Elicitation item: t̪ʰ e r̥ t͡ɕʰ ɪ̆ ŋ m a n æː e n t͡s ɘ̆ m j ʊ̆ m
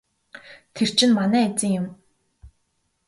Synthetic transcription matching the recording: t̪ʰ e r̥ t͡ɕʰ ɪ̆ n m a n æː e t͡s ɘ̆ ŋ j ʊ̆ m